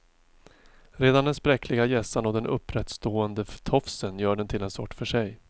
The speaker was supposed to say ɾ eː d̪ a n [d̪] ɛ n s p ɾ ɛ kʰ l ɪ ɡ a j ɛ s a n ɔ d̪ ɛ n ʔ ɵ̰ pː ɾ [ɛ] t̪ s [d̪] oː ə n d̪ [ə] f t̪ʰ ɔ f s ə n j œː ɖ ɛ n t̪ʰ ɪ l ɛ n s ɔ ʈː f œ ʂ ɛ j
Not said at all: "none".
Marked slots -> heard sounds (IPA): d̪, ɛ, t̪, ə

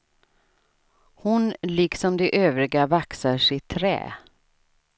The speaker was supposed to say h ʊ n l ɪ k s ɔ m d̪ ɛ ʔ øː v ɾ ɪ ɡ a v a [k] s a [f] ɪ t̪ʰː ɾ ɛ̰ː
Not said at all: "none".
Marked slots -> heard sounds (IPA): k, ʂ

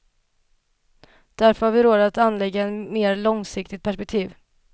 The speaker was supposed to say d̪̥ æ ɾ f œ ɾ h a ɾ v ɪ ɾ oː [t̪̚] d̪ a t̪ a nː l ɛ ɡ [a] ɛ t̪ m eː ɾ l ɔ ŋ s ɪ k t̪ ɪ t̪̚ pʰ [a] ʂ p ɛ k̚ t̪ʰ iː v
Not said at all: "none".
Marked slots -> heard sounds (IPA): none, a, æ

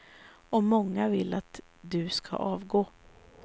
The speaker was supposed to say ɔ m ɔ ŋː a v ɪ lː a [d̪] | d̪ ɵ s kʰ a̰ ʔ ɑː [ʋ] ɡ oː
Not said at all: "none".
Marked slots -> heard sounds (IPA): t̪, v

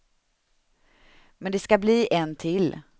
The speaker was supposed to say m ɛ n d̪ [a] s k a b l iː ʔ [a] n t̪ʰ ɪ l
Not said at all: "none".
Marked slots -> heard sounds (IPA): ɛ, ɛ

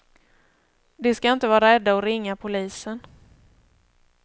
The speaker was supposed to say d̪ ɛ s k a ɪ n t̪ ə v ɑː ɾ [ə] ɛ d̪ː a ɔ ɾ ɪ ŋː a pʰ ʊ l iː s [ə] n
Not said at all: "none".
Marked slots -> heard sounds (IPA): a, ə

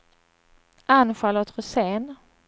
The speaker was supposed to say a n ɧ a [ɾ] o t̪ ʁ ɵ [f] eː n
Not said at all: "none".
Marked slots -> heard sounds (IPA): l, s

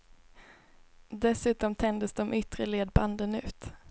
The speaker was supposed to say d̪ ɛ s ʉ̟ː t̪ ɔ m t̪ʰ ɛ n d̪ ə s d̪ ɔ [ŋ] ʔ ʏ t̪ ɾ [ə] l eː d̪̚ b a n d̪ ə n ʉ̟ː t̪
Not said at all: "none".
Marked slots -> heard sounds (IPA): m, ə

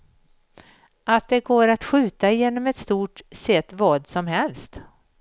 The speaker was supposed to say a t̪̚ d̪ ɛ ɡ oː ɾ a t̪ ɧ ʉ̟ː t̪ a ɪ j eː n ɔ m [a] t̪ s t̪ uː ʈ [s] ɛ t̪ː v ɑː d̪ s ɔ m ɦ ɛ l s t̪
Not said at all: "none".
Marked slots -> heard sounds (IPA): ɛ, s

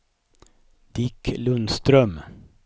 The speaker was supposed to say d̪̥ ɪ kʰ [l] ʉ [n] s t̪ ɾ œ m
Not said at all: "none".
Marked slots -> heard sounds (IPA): l, n

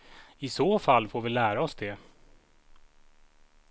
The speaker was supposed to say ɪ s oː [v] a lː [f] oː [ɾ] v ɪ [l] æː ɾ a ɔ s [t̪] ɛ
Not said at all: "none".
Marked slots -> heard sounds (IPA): f, f, ɾ, l, d̪

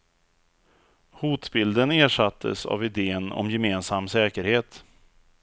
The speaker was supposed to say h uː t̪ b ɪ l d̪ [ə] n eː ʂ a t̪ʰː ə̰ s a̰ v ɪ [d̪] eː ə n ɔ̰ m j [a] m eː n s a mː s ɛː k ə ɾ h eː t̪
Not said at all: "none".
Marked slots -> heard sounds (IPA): ə, d̪, ɛ

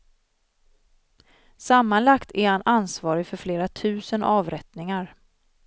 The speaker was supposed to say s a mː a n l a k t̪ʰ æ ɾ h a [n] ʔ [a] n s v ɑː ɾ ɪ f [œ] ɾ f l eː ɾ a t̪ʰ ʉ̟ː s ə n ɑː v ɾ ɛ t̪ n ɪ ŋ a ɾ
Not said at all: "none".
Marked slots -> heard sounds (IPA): n, a, œ

